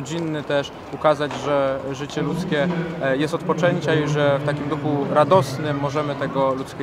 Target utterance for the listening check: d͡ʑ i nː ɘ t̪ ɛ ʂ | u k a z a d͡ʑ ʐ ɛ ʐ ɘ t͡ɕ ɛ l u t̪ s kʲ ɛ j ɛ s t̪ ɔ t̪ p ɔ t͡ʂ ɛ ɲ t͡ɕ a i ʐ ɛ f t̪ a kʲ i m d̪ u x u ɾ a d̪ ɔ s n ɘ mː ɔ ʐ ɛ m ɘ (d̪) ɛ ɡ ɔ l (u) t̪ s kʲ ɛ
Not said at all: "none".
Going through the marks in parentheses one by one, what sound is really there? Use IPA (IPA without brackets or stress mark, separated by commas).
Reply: t̪, u